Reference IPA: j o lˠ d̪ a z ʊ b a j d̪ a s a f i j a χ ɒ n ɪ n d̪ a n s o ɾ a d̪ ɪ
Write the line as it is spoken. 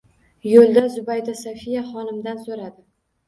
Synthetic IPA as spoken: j o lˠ d̪ a z ʊ b a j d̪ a s a f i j a χ ɒ n ɪ m d̪ a n s o ɾ a d̪ ɪ

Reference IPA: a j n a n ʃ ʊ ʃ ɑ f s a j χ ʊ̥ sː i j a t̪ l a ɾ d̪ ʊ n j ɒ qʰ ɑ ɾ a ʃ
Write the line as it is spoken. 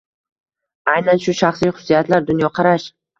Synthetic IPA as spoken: a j n a n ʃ ʊ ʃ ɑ χ s i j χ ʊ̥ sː i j a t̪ l a ɾ d̪ ʊ n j ɒ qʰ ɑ ɾ a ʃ

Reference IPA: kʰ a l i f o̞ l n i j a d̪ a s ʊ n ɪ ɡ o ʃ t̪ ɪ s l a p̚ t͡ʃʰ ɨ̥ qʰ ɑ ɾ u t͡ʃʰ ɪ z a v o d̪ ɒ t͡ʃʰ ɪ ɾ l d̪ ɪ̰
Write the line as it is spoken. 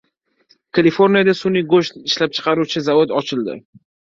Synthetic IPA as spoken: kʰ a l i f o̞ ɾ n i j a d̪ a s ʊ n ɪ ɡ o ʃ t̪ ɪ ʃ l a p̚ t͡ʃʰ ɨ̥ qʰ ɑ ɾ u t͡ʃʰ ɪ z a v o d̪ ɒ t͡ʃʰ ɪ l d̪ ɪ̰

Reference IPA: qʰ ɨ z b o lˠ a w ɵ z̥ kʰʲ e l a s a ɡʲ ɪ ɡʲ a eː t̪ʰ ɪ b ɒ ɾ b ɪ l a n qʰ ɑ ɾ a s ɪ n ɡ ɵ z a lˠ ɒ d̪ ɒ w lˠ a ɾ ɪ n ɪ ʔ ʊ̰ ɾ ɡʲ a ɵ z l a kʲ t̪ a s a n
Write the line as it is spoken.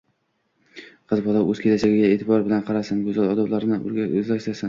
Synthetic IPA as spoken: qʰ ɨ z b ɒ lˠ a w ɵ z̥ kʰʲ e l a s a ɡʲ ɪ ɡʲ a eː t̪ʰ ɪ b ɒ ɾ b ɪ l a n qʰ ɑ ɾ a s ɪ n ɡ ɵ z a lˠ ɒ d̪ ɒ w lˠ a ɾ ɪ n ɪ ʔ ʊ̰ ɾ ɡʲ a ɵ z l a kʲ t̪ a s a n

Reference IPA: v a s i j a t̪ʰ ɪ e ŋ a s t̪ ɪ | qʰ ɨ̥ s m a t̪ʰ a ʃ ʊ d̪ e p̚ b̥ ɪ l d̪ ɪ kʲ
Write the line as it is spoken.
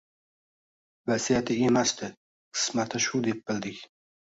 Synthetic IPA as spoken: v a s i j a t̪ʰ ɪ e m a s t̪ ɪ | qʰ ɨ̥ s m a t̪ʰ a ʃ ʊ d̪ e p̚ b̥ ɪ l d̪ ɪ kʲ

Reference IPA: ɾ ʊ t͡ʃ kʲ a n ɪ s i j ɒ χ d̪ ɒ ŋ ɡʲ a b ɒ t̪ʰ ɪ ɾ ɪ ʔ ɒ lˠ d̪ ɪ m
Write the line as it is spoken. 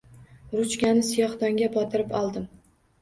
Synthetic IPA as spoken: ɾ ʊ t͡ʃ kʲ a n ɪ s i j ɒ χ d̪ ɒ ŋ ɡʲ a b ɒ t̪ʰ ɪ ɾ ɪ p ɒ lˠ d̪ ɪ m

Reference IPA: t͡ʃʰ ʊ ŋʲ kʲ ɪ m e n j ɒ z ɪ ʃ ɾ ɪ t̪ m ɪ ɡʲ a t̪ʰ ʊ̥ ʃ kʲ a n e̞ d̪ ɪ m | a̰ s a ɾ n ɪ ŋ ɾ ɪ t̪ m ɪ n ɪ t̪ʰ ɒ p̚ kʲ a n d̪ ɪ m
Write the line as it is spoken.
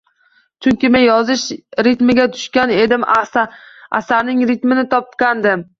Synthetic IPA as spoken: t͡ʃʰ ʊ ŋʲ kʲ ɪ m e n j ɒ z ɪ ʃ ɾ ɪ t̪ m ɪ ɡʲ a t̪ʰ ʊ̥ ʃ kʲ a n e̞ d̪ ɪ m | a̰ s a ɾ n ɪ ŋ ɾ ɪ t̪ m ɪ n ɪ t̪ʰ ɒ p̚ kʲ a n d̪ ɪ m

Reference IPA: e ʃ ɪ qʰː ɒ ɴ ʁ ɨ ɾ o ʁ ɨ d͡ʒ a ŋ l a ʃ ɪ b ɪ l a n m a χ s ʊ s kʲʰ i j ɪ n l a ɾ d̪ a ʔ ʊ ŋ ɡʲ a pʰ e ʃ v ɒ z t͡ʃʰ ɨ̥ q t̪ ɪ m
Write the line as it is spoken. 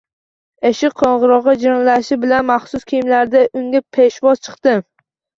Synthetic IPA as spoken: e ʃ ɪ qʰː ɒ ɴ ʁ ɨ ɾ ɒ ʁ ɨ d͡ʒ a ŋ l a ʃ ɪ b ɪ l a n m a χ s ʊ s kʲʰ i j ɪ m l a ɾ d̪ a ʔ ʊ ŋ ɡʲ a pʰ e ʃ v ɒ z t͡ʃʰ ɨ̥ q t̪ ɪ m

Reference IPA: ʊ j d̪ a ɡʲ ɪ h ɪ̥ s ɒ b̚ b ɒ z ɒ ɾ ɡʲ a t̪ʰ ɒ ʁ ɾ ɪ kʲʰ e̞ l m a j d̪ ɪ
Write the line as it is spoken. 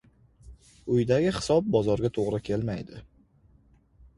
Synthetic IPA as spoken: ʊ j d̪ a ɡʲ ɪ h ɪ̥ s ɒ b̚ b ɒ z ɒ ɾ ɡʲ a t̪ʰ o ʁ ɾ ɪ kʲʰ e̞ l m a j d̪ ɪ

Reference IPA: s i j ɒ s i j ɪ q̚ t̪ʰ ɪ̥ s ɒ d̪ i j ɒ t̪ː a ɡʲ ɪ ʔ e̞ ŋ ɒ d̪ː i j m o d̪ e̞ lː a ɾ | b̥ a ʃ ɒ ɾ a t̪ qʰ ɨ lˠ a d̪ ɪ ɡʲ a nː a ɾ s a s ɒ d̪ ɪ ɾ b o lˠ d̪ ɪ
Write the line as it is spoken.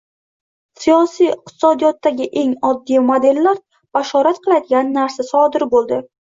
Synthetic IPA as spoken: s i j ɒ s i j ɪ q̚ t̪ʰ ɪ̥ s ɒ d̪ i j ɒ t̪ː a ɡʲ ɪ ʔ e̞ ŋ ɒ d̪ː i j m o d̪ e̞ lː a ɾ | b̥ a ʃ ɒ ɾ a t̪ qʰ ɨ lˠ a d̪ ɪ ɡʲ a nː a ɾ s a s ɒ d̪ ɪ ɾ b o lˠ d̪ ɪ

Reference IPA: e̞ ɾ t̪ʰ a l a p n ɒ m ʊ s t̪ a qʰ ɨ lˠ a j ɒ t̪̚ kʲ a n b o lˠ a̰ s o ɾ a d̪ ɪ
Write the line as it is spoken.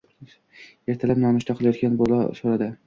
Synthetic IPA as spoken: e̞ ɾ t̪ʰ a l a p n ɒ m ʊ ʃ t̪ a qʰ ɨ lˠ a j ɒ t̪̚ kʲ a n b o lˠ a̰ s o ɾ a d̪ ɪ

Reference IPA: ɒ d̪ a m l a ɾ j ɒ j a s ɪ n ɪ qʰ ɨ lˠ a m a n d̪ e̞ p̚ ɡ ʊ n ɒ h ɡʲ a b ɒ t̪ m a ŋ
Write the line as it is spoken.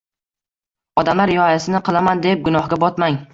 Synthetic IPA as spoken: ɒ d̪ a m l a ɾ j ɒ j a s ɪ n ɪ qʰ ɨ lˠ a m a n d̪ e̞ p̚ ɡ ʊ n ɒ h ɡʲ a b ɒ t̪ m a ŋ

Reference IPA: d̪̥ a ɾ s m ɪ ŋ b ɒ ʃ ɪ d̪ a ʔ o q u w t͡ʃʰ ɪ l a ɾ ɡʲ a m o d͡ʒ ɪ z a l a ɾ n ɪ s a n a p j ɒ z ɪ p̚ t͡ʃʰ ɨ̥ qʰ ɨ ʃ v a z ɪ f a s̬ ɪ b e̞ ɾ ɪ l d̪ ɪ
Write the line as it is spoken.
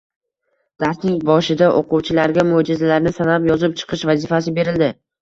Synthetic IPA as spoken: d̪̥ a ɾ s n ɪ ŋ b ɒ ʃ ɪ d̪ a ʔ o q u w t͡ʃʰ ɪ l a ɾ ɡʲ a m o d͡ʒ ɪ z a l a ɾ n ɪ s a n a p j ɒ z ɪ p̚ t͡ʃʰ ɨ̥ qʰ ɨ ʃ v a z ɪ f a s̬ ɪ b e̞ ɾ ɪ l d̪ ɪ

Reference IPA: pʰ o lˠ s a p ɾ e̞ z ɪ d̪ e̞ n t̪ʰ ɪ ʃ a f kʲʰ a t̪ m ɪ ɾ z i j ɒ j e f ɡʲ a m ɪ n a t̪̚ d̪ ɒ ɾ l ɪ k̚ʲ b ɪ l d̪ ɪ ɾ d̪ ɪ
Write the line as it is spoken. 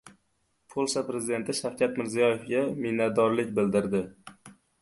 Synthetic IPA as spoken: pʰ o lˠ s a p ɾ e̞ z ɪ d̪ e̞ n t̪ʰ ɪ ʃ a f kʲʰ a t̪ m ɪ ɾ z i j ɒ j e f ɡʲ a m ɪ n a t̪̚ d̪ ɒ ɾ l ɪ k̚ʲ b ɪ l d̪ ɪ ɾ d̪ ɪ

